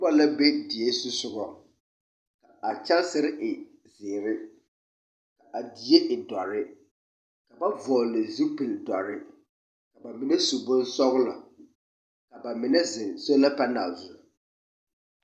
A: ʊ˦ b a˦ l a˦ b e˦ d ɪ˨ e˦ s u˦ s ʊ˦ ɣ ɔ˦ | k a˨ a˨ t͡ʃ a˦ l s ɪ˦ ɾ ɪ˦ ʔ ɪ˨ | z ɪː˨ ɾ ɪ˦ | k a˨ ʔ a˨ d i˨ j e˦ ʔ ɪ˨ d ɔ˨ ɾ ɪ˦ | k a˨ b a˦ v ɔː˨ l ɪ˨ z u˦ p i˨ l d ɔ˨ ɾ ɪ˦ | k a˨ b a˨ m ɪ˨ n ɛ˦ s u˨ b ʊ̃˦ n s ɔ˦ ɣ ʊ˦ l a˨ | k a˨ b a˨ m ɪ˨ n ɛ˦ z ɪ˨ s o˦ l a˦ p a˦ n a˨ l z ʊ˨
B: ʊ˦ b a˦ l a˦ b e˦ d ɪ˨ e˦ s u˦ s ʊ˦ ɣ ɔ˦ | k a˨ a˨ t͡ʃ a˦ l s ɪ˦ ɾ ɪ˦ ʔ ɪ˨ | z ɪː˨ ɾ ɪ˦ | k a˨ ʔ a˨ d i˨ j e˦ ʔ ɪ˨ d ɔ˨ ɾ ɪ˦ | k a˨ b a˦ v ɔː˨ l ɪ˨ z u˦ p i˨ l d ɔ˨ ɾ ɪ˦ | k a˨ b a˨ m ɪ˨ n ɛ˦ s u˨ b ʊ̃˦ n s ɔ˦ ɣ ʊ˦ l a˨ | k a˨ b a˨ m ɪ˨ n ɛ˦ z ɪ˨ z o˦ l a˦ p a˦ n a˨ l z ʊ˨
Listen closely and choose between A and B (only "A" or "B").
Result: A